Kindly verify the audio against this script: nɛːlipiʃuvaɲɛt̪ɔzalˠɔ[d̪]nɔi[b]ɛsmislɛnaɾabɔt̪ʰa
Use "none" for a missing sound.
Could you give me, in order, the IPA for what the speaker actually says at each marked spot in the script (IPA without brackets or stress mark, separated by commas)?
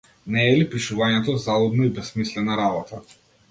d̪, b